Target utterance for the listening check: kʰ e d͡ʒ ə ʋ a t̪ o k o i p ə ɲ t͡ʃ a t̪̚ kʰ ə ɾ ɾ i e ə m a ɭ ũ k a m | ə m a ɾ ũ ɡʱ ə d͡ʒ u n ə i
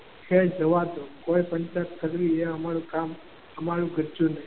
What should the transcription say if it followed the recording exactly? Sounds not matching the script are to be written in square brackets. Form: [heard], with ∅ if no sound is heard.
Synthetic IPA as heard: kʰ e d͡ʒ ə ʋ a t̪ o k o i p ə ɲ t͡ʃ a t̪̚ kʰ ə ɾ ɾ i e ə m a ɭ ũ k a m | ə m a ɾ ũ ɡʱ ə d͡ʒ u n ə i